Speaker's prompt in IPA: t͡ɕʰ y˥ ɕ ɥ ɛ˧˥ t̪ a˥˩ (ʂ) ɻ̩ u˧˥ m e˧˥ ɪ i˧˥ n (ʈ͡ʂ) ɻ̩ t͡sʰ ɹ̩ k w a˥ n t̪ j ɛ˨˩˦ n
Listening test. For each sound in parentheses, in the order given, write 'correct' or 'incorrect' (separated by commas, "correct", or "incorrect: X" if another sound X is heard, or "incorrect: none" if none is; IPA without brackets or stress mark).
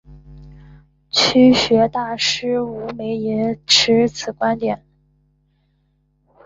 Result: correct, incorrect: ʈ͡ʂʰ